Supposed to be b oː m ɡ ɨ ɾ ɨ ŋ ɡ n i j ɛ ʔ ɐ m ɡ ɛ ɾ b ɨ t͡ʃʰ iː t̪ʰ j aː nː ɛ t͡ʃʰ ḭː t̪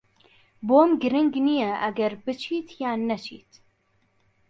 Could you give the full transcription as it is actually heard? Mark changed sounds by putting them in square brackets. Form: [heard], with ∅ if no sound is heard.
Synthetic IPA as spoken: b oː m ɡ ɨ ɾ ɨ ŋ ɡ n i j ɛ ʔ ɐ [∅] ɡ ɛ ɾ b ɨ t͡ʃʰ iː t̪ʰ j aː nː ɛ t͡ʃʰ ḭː t̪